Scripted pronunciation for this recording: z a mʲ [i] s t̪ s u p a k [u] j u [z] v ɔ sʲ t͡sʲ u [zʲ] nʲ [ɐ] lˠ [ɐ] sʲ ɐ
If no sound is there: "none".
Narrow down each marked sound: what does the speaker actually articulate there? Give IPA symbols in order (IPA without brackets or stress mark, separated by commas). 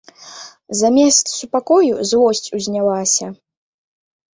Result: ɛ, ɔ, z, zʲ, a, a